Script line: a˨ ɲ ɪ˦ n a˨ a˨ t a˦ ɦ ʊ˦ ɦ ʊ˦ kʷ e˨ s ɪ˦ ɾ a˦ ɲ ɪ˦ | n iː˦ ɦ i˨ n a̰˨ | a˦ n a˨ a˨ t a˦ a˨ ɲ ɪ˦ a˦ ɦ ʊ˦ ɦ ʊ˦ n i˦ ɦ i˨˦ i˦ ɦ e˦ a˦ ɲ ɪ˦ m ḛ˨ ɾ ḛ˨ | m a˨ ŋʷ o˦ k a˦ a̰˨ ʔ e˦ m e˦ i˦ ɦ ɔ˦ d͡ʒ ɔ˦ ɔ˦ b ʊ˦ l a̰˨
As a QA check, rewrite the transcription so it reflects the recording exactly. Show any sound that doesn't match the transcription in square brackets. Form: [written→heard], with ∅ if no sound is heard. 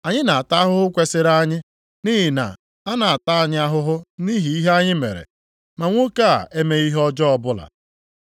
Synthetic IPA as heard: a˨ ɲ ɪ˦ n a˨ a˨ t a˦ ɦ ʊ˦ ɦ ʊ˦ kʷ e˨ s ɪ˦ ɾ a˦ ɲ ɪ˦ | n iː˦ ɦ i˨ n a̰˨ | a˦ n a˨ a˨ t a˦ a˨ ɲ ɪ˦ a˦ ɦ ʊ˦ ɦ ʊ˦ n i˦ ɦ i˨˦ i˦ ɦ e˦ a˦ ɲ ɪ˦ m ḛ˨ ɾ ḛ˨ | m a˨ ŋʷ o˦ k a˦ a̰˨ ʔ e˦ m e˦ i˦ ɦ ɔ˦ d͡ʒ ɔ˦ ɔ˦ b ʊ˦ l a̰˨